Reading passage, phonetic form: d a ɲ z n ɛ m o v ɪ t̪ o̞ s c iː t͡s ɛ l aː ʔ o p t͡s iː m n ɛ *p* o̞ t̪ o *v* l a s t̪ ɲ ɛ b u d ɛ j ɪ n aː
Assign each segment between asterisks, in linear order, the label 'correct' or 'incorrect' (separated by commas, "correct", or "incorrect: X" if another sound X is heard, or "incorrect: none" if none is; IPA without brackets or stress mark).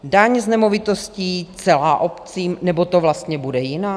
incorrect: b, correct